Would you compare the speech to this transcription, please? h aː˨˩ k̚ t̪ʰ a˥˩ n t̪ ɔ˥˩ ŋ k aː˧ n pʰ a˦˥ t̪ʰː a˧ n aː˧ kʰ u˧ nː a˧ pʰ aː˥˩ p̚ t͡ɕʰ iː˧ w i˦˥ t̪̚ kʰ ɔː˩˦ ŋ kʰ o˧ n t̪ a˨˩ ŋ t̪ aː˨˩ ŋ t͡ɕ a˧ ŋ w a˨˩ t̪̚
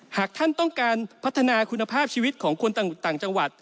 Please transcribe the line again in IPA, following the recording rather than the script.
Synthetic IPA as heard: h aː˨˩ k̚ t̪ʰ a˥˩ n t̪ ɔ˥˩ ŋ k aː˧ n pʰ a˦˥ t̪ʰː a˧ n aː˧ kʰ u˧ nː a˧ pʰ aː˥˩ p̚ t͡ɕʰ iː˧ w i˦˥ t̪̚ kʰ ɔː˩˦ ŋ kʰ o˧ n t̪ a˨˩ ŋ t̪ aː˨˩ ŋ t͡ɕ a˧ ŋ w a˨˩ t̪̚